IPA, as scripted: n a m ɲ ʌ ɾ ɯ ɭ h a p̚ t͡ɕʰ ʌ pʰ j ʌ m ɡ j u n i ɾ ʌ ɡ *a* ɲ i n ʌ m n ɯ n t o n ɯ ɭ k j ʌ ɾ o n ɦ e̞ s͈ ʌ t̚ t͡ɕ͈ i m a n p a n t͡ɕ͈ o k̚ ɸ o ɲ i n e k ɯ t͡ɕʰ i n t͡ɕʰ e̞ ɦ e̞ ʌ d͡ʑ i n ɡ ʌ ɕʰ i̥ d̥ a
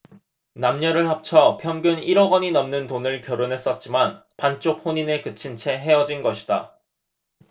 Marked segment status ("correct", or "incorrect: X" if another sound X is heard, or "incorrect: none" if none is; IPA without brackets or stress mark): incorrect: ʌ